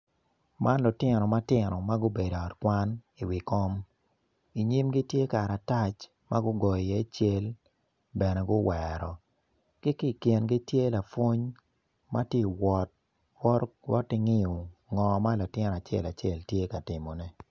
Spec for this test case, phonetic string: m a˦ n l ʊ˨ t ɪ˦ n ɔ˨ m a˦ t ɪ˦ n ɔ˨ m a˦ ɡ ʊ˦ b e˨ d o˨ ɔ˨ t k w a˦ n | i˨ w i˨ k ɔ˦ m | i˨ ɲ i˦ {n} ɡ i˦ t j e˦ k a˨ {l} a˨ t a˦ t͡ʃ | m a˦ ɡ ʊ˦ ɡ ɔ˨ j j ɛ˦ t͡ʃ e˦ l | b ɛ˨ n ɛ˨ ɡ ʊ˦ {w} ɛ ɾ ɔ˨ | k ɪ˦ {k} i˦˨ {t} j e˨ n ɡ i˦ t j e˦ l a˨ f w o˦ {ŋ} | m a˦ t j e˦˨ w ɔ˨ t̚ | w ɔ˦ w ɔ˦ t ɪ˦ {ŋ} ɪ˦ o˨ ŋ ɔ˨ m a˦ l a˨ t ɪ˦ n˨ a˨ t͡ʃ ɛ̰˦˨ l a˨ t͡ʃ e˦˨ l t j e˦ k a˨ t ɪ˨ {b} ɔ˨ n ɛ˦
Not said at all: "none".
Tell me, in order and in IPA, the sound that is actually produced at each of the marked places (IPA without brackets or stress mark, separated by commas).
m, ɾ, w, k, k, ɲ, ŋ, m